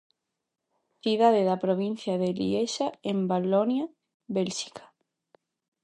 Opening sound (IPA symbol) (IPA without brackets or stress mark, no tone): θ